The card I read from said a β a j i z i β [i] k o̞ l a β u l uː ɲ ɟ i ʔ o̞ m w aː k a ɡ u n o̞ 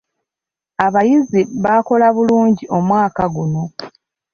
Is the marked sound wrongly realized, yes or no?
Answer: yes